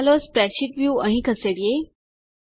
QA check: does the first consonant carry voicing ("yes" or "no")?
yes